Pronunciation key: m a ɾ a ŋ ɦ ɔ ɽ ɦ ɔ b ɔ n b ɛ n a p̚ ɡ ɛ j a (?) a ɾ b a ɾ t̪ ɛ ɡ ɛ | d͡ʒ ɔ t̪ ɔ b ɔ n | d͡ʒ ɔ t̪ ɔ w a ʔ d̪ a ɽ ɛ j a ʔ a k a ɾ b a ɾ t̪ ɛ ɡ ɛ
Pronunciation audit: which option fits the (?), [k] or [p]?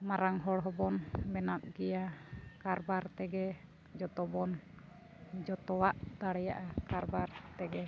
k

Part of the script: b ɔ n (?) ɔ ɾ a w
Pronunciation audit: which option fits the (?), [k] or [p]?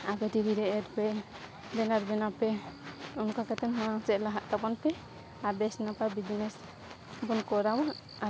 k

